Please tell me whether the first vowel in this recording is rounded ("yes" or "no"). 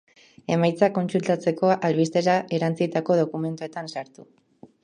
no